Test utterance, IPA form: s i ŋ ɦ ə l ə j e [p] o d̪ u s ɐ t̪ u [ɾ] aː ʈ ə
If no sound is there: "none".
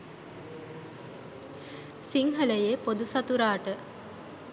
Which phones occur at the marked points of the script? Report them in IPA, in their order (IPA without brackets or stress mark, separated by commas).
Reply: p, ɾ